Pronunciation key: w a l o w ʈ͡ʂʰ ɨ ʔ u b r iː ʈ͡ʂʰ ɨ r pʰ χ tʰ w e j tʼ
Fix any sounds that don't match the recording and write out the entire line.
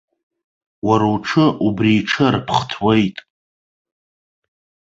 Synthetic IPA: w a ɾ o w ʈ͡ʂʰ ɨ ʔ u b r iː ʈ͡ʂʰ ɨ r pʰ χ tʰ w e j tʼ

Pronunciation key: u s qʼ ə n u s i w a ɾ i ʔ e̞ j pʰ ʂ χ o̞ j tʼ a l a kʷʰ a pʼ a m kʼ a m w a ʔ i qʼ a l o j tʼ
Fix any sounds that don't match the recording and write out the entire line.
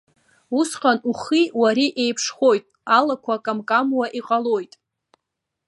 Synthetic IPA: u s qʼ a n u χ i w a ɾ i ʔ e̞ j pʰ ʂ χ o̞ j tʼ a l a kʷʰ a kʼ a m kʼ a m w a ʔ i qʼ a l o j tʼ

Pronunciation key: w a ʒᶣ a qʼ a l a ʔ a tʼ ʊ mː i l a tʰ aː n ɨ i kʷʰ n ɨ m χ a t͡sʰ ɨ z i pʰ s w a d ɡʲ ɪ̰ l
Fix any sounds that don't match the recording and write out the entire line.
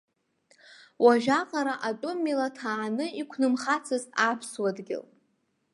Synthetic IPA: w a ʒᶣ a qʼ a ɾ a ʔ a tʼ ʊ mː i l a tʰ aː n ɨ i kʷʰ n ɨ m χ a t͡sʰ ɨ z a pʰ s w a d ɡʲ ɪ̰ l

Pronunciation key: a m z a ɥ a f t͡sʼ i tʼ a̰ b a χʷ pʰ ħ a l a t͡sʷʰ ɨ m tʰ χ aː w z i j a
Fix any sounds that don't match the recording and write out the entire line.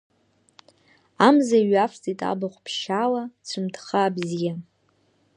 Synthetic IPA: a m z a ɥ a f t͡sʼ i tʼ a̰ b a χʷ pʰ ʃ a l a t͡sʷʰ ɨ m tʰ χ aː b z i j a

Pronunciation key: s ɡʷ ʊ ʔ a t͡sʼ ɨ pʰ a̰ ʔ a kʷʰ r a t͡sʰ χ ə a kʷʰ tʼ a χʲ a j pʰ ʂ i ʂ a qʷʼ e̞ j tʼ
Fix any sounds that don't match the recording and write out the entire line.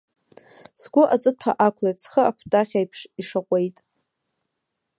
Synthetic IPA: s ɡʷ ʊ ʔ a t͡sʼ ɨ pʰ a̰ ʔ a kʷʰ l a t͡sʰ χ ə a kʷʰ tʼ a χʲ a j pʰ ʂ i ʂ a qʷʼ e̞ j tʼ

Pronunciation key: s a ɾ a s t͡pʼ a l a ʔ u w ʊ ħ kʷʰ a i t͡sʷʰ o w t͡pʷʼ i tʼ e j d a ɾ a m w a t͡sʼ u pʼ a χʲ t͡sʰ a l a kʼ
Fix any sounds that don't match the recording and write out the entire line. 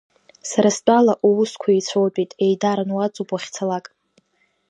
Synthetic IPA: s a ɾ a s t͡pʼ a l a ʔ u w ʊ s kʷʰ a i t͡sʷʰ o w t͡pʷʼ i tʼ e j d a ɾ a n w a t͡sʼ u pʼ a χʲ t͡sʰ a l a kʼ

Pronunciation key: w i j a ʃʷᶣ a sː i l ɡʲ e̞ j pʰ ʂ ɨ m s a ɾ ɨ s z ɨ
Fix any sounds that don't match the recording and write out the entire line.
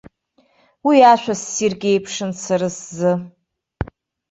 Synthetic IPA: w i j a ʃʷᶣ a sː i r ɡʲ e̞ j pʰ ʂ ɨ n s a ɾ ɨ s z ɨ

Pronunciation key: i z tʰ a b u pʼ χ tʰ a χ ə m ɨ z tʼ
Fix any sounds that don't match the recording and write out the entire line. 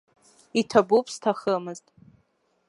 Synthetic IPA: i tʰ a b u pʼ s tʰ a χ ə m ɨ z tʼ

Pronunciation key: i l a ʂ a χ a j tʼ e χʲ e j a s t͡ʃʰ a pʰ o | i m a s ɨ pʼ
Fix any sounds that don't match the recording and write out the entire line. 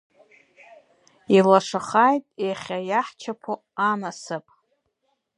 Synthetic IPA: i l a ʂ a χ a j tʼ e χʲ a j a ħ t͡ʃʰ a pʰ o | a m a s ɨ pʼ

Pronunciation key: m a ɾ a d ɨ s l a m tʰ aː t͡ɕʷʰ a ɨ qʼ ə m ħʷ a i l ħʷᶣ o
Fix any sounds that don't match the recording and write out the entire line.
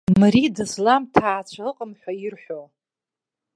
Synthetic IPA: m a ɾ i d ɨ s l a m tʰ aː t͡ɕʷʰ a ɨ qʼ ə m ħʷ a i r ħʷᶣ o

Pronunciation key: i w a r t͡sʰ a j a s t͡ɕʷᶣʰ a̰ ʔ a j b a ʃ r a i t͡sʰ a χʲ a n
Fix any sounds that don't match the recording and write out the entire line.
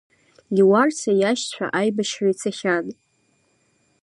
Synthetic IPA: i w a r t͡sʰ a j a ʃ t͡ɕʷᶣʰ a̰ ʔ a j b a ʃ r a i t͡sʰ a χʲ a n

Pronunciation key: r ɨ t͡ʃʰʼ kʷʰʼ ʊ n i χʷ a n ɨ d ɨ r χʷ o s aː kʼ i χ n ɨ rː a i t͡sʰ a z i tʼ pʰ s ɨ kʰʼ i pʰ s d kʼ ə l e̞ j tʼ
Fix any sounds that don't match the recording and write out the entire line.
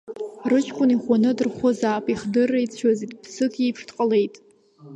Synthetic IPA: r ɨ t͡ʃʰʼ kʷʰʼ ʊ n i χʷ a n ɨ d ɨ r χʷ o z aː pʼ i χ d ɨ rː a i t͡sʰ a z i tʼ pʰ s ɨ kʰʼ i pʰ ʂ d qʼ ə l e̞ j tʼ

